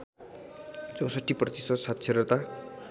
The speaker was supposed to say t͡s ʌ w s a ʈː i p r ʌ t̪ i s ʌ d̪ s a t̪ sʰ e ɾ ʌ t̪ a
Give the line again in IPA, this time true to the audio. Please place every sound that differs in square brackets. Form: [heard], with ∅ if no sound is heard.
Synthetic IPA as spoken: t͡s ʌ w s [ʌ] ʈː i p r ʌ t̪ i s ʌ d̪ s a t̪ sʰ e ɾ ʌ t̪ a